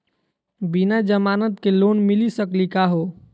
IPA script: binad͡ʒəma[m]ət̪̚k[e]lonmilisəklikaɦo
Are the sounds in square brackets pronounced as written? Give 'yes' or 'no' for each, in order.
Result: no, yes

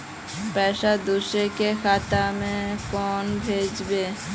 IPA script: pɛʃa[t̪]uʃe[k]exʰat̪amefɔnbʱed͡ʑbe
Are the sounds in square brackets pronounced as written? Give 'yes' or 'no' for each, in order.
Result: no, yes

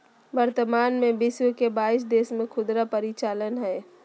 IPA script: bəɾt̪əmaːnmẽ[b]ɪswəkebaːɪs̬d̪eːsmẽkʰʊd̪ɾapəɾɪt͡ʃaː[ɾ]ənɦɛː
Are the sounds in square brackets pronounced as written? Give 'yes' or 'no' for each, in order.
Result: yes, no

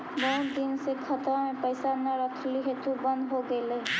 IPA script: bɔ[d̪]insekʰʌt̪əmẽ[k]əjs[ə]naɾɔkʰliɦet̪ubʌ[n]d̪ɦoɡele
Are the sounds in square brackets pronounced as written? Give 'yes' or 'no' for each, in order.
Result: yes, no, no, yes

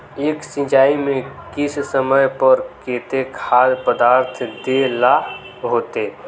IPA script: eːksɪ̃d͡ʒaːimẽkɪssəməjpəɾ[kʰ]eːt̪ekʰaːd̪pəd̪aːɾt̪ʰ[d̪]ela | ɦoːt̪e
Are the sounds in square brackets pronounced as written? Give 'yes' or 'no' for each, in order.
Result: no, yes

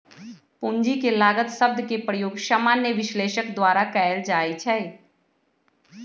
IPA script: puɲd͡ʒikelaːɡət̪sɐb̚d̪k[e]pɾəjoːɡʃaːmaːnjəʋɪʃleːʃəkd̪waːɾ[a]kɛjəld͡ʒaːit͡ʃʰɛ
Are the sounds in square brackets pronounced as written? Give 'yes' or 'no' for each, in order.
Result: yes, yes

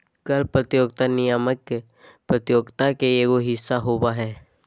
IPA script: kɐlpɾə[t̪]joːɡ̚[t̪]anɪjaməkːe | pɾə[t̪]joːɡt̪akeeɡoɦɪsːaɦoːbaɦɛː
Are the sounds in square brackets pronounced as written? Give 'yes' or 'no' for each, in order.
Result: yes, yes, yes

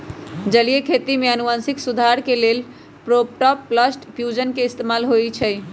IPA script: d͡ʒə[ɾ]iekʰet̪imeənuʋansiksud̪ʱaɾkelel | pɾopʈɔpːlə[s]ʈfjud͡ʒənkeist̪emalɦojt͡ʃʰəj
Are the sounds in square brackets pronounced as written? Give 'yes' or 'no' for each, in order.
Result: no, yes

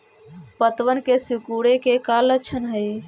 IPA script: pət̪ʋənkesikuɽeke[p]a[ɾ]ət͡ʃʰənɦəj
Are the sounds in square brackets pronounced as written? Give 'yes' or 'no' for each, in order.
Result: no, no

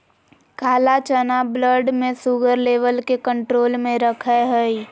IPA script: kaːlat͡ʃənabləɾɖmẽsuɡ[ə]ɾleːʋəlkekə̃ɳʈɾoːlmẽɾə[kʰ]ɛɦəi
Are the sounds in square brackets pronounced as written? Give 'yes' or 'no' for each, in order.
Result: yes, yes

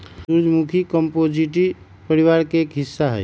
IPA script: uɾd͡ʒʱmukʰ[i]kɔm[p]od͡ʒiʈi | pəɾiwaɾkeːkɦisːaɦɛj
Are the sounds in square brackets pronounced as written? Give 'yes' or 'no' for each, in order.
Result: yes, yes

